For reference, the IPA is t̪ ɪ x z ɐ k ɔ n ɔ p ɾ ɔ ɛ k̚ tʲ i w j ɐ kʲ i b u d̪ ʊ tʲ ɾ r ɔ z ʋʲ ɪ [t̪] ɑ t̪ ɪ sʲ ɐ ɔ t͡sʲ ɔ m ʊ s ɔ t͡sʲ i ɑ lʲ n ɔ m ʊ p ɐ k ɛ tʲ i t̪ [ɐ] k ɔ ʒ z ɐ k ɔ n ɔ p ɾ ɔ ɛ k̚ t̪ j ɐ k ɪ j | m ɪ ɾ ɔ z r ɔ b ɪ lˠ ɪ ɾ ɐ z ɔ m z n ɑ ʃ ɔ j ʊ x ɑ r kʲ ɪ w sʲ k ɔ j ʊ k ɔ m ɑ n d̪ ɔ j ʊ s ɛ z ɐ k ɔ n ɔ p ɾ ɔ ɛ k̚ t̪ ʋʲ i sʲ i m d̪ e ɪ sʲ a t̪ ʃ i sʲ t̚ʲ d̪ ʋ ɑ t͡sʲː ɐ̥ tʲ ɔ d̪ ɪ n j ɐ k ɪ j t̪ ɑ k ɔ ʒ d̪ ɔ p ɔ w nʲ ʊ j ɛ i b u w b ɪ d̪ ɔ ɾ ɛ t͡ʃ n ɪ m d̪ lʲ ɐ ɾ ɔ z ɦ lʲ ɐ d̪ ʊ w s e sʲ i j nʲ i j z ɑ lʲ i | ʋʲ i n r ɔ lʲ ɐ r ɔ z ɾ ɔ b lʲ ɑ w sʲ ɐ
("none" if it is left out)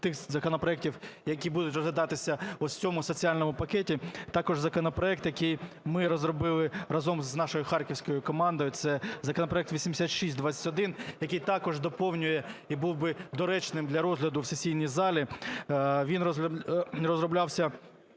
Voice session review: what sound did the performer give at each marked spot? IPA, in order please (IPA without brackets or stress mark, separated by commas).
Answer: d̪, ɑ